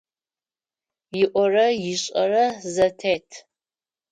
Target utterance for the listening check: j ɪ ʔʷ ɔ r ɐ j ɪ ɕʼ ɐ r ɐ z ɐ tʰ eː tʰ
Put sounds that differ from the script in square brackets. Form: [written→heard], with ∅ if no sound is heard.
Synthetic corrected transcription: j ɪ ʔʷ ɔ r ɐ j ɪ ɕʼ ɐ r ɐ z ɐ tʰ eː tʰ